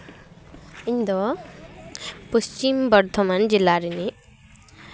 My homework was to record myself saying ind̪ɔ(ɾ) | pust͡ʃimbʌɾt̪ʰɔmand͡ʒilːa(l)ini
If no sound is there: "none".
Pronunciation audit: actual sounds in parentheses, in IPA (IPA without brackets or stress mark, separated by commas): none, ɾ